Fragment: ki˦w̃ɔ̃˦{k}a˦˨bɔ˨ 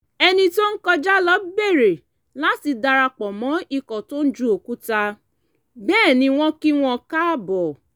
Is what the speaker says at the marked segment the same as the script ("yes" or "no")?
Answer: yes